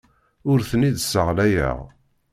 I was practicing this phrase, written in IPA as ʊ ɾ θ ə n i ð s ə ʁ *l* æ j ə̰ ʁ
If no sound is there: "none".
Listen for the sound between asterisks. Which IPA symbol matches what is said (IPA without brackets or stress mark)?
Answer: l